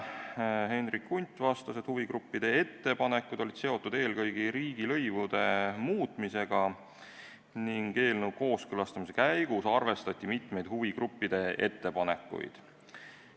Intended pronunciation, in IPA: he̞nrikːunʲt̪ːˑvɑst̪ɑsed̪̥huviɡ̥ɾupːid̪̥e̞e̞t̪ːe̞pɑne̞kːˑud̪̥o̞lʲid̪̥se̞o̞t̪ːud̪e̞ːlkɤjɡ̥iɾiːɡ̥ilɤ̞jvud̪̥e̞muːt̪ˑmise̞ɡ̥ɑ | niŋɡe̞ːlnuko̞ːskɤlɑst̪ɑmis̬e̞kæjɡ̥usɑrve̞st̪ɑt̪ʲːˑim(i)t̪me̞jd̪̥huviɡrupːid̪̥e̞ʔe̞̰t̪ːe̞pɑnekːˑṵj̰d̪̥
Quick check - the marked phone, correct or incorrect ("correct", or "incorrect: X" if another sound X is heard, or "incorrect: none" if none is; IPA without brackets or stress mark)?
correct